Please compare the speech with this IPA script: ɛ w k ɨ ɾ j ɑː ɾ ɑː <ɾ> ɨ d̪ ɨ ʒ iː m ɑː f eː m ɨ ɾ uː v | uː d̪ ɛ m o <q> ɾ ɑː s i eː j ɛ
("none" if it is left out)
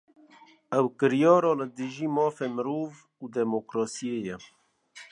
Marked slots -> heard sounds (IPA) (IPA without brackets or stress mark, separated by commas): l, k